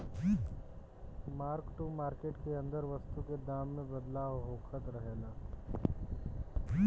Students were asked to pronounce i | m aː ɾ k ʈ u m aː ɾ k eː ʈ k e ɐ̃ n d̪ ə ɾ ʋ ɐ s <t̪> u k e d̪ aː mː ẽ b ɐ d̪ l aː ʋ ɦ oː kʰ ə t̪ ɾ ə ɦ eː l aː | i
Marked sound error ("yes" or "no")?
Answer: no